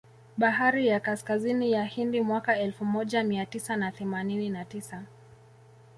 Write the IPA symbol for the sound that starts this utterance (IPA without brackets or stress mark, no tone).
ɓ